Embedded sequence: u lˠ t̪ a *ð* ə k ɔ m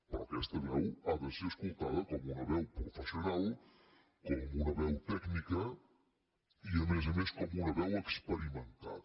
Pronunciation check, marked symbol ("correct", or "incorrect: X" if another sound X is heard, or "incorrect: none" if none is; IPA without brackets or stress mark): correct